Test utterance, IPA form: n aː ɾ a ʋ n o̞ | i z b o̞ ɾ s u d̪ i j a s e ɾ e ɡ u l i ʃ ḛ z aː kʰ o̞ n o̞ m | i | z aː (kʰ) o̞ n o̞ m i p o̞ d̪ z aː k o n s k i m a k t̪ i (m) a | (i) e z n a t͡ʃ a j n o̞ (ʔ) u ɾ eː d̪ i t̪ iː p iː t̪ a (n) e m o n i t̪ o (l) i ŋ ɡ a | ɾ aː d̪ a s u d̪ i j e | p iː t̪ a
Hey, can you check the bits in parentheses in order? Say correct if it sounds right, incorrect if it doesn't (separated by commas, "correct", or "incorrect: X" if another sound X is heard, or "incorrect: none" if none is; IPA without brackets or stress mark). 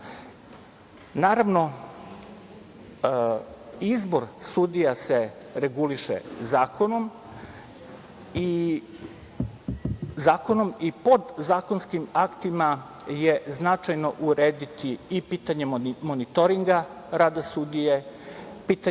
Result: incorrect: k, correct, incorrect: j, correct, incorrect: ɲ, incorrect: ɾ